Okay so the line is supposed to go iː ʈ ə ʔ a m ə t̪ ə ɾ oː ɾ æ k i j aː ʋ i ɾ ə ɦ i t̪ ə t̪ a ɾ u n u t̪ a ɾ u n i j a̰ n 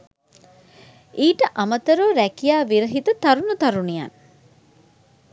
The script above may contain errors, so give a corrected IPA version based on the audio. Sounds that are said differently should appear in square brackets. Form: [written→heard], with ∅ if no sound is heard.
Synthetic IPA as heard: iː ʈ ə ʔ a m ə t̪ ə ɾ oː ɾ æ k i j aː ʋ i ɾ ə ɦ i t̪ ə t̪ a ɾ u n u t̪ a ɾ u n i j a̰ n